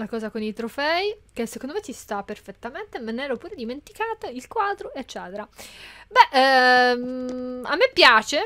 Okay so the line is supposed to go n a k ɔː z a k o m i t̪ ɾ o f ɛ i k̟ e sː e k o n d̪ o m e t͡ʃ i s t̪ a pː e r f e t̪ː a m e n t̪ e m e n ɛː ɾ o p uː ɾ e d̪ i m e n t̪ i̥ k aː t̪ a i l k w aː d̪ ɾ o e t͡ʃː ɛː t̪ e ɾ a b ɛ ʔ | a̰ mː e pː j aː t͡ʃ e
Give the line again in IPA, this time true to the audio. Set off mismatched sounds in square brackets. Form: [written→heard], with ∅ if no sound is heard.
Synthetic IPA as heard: n a k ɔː z a k o [m→n] i t̪ ɾ o f ɛ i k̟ e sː e k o n d̪ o m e t͡ʃ i s t̪ a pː e r f e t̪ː a m e n t̪ e m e n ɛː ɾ o p uː ɾ e d̪ i m e n t̪ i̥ k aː t̪ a i l k w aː d̪ ɾ o e t͡ʃː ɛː t̪ e ɾ a b ɛ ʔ | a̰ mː e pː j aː t͡ʃ e